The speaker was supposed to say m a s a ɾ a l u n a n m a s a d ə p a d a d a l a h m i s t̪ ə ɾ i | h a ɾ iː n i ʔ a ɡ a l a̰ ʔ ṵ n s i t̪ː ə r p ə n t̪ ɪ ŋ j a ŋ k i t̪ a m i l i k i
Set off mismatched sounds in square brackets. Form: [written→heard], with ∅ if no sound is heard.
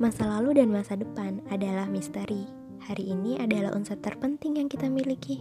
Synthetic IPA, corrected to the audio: m a s a [ɾ→l] a l u [n→d] a n m a s a d ə p a [d→n] a d a l a h m i s t̪ ə ɾ i | h a ɾ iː n i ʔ a [ɡ→d] a l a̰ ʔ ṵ n s [i→a] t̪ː ə r p ə n t̪ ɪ ŋ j a ŋ k i t̪ a m i l i k i